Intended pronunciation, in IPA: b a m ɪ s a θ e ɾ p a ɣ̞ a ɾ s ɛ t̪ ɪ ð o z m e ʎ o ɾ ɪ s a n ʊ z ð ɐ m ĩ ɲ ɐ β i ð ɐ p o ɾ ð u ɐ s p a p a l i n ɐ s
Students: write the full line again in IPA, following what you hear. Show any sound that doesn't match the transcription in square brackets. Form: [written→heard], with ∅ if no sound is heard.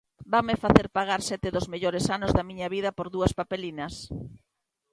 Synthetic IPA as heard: b a m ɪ [s→f] a θ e ɾ p a ɣ̞ a ɾ s ɛ t̪ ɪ ð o z m e ʎ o ɾ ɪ s a n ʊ z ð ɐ m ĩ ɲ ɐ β i ð ɐ p o ɾ ð u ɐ s p a p [a→e] l i n ɐ s